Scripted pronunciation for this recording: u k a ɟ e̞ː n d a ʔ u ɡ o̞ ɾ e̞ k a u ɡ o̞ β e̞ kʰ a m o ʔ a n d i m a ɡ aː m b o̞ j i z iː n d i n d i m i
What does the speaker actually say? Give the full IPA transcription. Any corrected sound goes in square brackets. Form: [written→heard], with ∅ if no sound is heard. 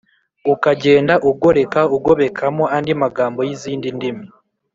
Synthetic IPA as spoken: u k a ɟ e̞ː n d a ʔ u ɡ o̞ ɾ e̞ k a u ɡ o̞ β e̞ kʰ a m o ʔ a n d i m a ɡ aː m b o̞ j i z iː n d i n d i m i